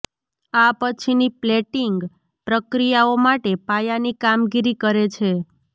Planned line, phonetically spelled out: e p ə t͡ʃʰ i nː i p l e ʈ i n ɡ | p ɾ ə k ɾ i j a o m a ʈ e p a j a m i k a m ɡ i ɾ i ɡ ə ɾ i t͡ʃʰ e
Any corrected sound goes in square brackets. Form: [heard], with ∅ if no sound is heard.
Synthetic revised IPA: [a] p ə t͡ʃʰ i [n] i p l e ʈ i [ŋ] ɡ | p ɾ ə k ɾ i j a o m a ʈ e p a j a [n] i k a m ɡ i ɾ i [k] ə ɾ [e] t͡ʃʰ e